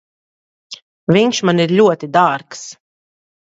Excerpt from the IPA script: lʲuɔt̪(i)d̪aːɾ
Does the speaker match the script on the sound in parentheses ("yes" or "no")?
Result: yes